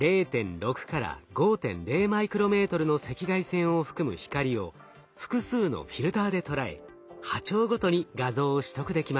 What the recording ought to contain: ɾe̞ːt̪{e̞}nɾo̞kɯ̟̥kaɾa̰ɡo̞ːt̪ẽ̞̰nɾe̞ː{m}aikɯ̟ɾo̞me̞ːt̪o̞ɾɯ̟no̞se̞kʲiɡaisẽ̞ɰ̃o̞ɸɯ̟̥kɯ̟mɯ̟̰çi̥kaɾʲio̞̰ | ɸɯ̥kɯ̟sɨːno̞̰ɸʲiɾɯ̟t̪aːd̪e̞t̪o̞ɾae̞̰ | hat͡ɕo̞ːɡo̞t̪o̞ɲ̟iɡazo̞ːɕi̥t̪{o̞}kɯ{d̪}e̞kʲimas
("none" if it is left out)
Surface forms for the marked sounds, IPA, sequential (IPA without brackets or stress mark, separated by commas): ẽ̞, m, o̞, d̪